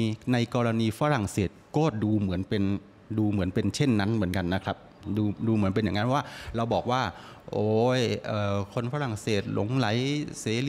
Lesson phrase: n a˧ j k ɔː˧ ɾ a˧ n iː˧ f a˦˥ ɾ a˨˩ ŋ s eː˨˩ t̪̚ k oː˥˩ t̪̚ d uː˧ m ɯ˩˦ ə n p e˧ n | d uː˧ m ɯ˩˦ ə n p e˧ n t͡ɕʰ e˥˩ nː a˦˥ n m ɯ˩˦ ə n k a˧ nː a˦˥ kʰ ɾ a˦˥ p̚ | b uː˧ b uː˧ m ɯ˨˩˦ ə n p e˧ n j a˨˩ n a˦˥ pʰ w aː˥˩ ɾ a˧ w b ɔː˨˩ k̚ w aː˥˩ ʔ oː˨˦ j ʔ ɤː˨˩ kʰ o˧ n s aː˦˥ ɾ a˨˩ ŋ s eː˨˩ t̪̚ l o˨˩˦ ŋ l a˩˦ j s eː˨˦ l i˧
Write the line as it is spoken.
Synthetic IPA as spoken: n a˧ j k ɔː˧ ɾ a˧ n iː˧ f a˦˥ ɾ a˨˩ ŋ s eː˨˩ t̪̚ k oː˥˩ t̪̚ d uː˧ m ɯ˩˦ ə n p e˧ n | d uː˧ m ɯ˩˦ ə n p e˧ n t͡ɕʰ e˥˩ nː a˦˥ n m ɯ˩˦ ə n k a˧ nː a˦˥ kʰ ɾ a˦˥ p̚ | d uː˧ d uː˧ m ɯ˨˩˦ ə n p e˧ n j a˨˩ ŋ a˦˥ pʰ w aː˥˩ ɾ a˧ w b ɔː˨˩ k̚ w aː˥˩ ʔ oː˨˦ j ʔ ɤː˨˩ kʰ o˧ n f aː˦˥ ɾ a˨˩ ŋ s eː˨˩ t̪̚ l o˨˩˦ ŋ l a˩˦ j s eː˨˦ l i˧